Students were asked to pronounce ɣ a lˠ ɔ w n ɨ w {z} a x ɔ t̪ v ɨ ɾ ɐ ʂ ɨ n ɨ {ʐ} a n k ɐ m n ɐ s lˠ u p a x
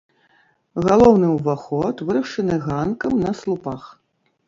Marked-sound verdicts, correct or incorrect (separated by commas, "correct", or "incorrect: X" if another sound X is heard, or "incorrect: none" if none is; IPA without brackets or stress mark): incorrect: v, incorrect: ɣ